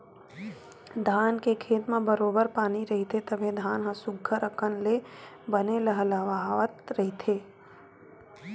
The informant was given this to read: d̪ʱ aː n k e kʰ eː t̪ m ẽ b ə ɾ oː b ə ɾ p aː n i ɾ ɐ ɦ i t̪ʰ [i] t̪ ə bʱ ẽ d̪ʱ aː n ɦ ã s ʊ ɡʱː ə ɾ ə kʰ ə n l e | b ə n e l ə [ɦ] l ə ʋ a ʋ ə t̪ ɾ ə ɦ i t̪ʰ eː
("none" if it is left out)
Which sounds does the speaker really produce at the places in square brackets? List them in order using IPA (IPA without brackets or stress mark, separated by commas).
e, ɦ